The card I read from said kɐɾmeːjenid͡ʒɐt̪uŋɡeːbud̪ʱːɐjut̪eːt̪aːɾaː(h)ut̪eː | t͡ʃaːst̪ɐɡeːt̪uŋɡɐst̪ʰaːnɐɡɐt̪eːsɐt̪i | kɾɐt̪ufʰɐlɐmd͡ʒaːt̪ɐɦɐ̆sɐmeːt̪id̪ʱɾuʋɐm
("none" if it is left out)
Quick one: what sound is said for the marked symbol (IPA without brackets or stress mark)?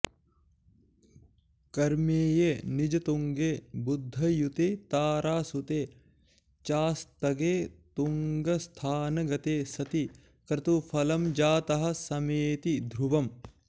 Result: s